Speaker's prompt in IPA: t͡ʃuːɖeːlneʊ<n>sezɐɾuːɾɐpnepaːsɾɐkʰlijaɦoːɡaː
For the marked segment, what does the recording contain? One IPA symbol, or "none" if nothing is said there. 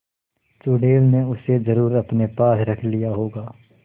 none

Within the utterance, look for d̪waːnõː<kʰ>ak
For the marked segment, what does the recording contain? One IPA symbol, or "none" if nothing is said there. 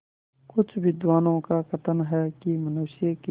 k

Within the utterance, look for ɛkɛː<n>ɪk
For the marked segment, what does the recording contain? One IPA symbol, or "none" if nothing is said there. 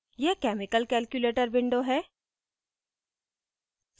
m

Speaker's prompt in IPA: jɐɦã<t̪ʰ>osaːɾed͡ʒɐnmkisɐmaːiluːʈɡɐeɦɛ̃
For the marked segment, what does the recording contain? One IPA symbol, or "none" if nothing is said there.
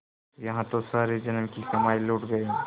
t̪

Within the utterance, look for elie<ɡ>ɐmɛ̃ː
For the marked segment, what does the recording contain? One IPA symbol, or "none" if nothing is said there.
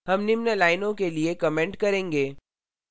k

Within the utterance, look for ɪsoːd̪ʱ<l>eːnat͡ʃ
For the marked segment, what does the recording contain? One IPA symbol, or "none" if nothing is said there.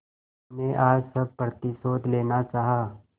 l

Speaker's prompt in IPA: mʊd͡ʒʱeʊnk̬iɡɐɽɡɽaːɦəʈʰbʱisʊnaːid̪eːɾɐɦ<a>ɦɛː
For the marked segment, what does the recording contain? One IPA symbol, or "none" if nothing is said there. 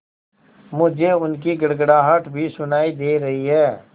i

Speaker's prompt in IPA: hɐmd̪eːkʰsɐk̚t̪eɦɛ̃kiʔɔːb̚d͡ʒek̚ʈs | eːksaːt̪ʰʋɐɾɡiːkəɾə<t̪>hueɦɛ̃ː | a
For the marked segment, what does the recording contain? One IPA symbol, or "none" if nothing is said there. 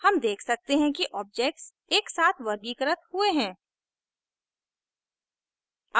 t̪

